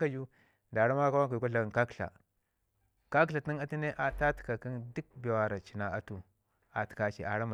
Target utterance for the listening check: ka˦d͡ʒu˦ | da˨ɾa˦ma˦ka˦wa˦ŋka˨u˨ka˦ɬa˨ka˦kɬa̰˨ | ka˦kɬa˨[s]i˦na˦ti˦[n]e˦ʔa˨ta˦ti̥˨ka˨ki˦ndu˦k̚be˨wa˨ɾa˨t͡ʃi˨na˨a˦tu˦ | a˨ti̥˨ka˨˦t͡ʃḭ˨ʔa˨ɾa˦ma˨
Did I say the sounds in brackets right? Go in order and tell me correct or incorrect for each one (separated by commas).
incorrect, correct